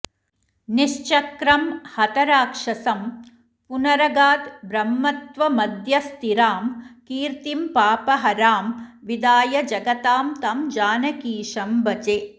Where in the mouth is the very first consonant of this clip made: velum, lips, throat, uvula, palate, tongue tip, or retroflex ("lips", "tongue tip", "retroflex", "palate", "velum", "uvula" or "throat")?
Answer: tongue tip